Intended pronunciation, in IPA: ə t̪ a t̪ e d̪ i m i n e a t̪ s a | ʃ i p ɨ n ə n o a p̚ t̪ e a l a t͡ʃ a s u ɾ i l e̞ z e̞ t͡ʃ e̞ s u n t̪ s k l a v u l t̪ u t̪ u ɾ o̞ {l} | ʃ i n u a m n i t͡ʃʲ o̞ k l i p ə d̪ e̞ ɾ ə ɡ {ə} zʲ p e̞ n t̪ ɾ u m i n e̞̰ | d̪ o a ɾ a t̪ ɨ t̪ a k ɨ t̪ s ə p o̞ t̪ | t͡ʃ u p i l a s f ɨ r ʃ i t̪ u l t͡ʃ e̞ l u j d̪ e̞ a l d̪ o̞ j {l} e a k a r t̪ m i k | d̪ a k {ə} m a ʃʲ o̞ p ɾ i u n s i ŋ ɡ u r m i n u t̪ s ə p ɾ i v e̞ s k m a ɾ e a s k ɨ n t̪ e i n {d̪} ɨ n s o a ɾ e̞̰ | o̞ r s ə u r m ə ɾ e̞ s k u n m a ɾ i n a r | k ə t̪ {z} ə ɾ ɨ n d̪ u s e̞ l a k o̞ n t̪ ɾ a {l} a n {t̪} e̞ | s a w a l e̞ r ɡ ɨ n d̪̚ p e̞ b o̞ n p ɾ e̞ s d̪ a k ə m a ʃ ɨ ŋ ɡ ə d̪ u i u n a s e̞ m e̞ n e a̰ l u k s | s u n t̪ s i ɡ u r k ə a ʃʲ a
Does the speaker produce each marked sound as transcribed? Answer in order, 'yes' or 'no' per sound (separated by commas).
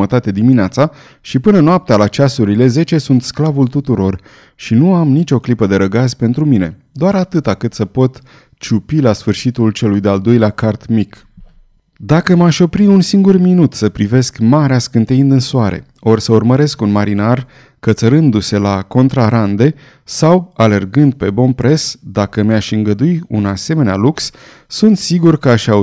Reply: no, no, yes, yes, yes, no, no, no